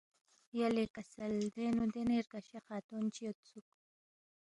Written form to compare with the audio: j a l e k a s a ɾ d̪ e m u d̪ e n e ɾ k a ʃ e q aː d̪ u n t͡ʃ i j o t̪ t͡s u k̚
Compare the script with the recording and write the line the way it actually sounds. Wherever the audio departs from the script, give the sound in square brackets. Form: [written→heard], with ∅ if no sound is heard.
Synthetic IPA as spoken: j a l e k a s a [ɾ→l] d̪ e [m→n] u d̪ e n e ɾ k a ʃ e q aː [d̪→t̪] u n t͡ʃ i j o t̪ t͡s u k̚

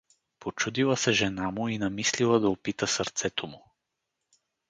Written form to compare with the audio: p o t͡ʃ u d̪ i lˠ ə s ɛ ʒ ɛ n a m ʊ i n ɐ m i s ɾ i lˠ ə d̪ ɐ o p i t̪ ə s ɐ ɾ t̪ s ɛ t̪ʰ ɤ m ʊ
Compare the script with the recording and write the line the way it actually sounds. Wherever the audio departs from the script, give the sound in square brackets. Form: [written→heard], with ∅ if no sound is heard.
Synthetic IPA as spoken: p o t͡ʃ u d̪ i lˠ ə s ɛ ʒ ɛ n a m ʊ i n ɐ m i s [ɾ→l] i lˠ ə d̪ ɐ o p i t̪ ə s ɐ ɾ t̪ s ɛ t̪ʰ [ɤ→o] m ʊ

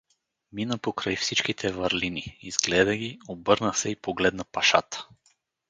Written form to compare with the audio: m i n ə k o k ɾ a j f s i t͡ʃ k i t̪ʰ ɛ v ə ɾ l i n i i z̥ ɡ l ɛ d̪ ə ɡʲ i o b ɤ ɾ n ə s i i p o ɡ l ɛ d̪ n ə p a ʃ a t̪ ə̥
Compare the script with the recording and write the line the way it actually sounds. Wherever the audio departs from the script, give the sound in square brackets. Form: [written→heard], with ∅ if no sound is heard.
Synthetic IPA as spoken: m i n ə [k→p] o k ɾ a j f s i t͡ʃ k i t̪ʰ ɛ v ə ɾ l i n i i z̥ ɡ l ɛ d̪ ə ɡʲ i o b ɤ ɾ n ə s [i→ɛ] i p o ɡ l ɛ d̪ n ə p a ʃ a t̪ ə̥

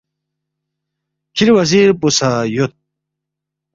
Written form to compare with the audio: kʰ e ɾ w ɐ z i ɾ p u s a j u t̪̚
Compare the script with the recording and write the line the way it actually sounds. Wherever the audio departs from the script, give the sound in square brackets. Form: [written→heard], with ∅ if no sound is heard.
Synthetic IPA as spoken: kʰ [e→i] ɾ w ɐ z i ɾ p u s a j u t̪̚

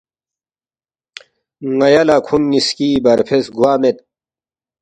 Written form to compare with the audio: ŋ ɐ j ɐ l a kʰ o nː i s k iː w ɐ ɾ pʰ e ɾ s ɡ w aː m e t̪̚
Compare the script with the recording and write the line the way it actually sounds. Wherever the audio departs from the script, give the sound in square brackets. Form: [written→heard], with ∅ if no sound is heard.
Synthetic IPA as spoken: ŋ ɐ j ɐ l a kʰ [o→u] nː i s k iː [w→b] ɐ ɾ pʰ e [ɾ→∅] s ɡ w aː m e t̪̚

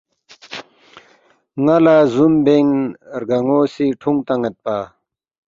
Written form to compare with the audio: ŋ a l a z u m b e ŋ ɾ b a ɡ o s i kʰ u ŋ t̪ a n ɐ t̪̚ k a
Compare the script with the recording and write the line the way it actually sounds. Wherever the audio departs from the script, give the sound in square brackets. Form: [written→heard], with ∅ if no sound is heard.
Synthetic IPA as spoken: ŋ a l a z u m b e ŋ ɾ [b→ɡ] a [ɡ→ŋ] o s i [kʰ→ʈʰ] u ŋ t̪ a [n→ŋ] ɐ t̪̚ [k→p] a

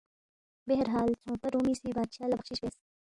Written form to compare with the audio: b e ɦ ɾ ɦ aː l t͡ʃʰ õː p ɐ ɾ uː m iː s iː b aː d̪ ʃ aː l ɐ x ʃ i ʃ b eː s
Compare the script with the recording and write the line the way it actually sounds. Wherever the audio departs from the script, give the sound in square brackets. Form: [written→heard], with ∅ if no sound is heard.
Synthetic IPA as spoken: b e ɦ ɾ ɦ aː l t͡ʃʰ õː p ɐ ɾ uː m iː s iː b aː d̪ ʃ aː l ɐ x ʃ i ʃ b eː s

